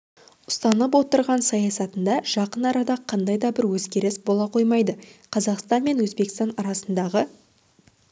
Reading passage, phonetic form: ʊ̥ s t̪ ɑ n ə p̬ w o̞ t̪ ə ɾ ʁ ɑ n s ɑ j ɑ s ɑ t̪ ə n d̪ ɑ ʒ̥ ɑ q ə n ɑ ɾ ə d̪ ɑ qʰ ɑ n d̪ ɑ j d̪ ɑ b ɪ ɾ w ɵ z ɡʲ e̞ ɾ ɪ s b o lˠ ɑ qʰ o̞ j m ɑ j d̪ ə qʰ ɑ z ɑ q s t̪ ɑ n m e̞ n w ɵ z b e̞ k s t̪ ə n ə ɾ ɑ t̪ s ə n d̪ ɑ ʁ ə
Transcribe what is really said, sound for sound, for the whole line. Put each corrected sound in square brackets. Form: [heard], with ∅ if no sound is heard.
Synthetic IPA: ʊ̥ s t̪ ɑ n ə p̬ w o̞ t̪ ə ɾ ʁ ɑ n s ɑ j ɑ s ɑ t̪ ə n d̪ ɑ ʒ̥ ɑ q ə n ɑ ɾ [ɑ] d̪ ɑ qʰ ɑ n d̪ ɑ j d̪ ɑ b ɪ ɾ w ɵ z ɡʲ e̞ ɾ ɪ s b o lˠ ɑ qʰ o̞ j m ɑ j d̪ ə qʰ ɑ z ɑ q s t̪ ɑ n m e̞ n w ɵ z b e̞ k s t̪ [ɑ] n [ɑ] ɾ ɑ [∅] s ə n d̪ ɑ ʁ ə